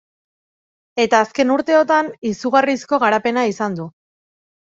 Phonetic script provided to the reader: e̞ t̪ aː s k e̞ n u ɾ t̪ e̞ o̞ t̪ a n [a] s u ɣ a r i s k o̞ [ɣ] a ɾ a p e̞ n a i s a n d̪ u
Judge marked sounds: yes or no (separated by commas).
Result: no, yes